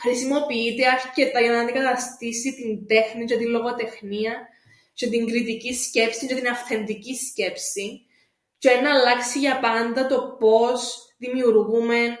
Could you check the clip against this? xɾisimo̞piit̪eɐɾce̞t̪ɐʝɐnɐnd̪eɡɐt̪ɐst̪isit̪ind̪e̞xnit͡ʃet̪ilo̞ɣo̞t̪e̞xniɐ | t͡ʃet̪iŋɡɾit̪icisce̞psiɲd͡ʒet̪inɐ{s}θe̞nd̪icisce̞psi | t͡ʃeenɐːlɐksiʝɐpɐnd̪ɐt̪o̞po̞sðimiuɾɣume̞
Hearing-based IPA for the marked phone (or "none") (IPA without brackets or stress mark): f